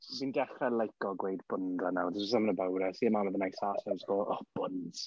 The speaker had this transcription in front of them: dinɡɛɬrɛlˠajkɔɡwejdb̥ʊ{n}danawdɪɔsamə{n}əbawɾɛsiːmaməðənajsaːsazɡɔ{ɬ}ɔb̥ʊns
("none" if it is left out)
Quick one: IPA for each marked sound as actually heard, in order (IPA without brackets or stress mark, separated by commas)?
n, n, none